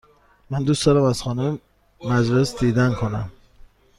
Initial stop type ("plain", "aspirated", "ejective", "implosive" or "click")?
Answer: plain